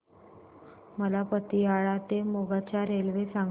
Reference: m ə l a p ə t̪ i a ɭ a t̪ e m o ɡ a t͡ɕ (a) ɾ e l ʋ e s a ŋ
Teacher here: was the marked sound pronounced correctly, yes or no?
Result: yes